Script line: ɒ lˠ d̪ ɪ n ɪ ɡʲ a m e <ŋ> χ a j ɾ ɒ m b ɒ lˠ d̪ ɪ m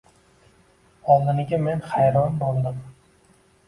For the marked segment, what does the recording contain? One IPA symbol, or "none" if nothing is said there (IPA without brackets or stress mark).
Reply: n